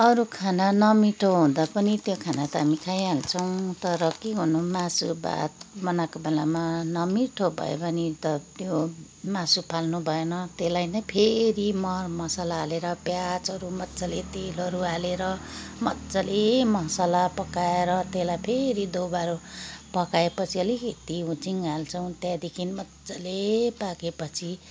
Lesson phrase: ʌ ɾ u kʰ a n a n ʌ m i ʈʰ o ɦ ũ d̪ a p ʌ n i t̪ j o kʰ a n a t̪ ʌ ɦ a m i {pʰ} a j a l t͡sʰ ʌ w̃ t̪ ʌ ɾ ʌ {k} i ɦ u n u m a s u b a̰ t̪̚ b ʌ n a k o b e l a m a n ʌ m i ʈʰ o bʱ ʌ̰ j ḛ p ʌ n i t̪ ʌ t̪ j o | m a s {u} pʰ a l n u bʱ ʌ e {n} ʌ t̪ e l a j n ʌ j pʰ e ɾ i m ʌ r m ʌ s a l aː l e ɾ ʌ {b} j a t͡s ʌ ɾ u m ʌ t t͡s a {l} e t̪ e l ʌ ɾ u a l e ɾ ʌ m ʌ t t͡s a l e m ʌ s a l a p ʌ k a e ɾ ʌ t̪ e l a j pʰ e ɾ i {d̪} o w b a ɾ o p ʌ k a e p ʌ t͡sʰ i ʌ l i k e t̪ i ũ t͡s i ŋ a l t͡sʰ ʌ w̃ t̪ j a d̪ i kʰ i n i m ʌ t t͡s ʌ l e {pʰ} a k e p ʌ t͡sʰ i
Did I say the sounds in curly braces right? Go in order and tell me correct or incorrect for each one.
incorrect, correct, correct, correct, incorrect, correct, correct, incorrect

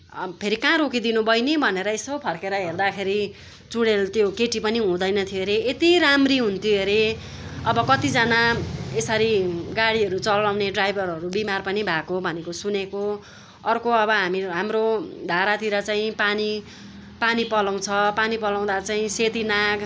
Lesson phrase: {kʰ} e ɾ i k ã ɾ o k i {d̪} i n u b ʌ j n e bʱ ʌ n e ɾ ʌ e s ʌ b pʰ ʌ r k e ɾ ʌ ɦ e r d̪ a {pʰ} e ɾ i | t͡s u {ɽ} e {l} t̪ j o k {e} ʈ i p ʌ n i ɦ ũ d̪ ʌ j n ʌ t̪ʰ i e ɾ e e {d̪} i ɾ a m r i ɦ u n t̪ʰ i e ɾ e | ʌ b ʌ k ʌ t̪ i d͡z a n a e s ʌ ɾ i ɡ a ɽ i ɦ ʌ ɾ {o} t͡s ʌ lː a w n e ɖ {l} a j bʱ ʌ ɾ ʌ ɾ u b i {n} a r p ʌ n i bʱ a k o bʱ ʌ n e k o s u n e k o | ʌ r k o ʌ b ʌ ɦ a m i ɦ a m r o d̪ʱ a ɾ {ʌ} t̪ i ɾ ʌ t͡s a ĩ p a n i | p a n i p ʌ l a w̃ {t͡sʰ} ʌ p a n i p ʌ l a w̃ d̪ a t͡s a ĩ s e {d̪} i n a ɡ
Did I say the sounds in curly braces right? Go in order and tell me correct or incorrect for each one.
incorrect, correct, incorrect, correct, correct, correct, incorrect, incorrect, incorrect, incorrect, incorrect, correct, incorrect

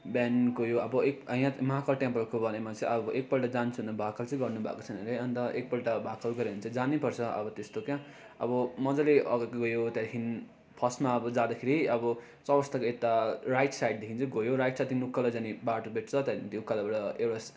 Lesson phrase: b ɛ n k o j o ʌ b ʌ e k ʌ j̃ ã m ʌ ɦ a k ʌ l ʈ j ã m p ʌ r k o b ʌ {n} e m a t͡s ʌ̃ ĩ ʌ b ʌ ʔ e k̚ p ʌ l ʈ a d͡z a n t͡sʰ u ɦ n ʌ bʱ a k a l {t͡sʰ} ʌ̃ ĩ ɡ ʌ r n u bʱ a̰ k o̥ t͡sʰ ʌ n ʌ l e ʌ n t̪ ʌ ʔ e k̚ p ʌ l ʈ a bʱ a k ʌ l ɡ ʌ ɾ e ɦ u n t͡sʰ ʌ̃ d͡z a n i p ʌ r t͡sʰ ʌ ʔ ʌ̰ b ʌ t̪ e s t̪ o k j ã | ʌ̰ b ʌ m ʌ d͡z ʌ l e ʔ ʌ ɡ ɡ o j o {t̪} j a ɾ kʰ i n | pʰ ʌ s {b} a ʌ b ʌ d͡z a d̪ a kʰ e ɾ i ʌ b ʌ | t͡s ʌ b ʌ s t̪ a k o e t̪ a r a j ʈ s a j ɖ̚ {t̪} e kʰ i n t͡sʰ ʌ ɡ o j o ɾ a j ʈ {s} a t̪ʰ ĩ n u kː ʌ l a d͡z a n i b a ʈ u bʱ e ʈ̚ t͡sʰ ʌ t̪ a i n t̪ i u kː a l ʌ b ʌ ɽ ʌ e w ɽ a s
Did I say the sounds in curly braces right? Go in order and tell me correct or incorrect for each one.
correct, incorrect, correct, incorrect, incorrect, correct

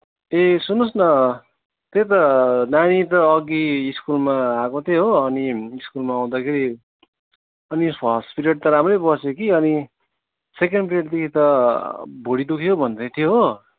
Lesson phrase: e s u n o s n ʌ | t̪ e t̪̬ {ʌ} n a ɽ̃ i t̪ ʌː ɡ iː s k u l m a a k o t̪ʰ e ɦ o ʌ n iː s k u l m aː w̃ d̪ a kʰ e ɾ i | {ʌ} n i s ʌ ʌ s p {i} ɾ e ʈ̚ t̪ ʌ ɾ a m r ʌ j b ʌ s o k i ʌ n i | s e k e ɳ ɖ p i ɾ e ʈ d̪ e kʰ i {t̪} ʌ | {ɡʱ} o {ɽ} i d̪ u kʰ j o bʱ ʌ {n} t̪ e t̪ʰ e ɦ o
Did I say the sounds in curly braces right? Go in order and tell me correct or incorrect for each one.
correct, correct, correct, correct, incorrect, correct, correct

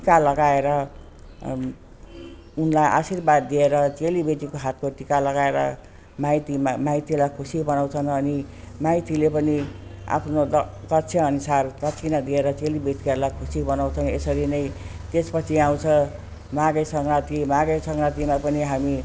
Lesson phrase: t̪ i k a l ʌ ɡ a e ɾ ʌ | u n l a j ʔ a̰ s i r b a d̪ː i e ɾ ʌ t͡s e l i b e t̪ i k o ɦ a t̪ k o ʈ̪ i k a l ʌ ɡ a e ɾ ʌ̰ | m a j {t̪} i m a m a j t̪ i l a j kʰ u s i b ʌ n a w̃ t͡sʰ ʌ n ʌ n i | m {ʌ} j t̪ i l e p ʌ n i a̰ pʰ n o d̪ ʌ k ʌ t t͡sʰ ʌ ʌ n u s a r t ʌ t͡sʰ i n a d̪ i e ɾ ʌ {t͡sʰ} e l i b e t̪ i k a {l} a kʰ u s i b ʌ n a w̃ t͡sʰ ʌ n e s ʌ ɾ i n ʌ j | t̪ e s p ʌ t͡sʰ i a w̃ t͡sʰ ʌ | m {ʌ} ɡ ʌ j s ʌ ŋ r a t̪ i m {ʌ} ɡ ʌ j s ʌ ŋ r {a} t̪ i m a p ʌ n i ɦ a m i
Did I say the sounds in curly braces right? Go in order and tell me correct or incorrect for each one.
correct, incorrect, incorrect, correct, incorrect, incorrect, correct

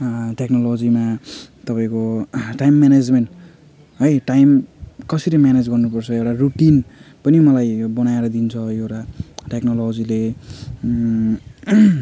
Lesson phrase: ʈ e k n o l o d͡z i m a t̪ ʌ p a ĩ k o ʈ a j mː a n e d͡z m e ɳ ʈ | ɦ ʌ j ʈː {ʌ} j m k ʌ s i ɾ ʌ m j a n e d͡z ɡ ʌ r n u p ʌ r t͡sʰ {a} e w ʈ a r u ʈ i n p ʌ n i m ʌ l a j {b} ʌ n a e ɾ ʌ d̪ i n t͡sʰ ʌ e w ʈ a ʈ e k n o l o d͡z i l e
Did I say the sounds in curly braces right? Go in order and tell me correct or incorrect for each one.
incorrect, incorrect, correct

